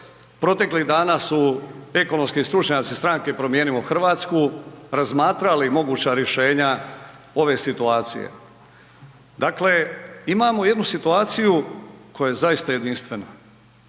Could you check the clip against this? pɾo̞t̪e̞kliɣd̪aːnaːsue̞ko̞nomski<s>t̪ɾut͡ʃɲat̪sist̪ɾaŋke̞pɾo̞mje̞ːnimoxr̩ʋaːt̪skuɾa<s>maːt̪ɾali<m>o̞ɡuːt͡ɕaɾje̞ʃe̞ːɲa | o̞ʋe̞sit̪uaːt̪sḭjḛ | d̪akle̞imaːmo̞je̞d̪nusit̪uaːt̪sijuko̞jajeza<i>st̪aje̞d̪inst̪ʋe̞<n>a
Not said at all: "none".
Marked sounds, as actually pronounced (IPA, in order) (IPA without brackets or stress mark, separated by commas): s, z, m, i, n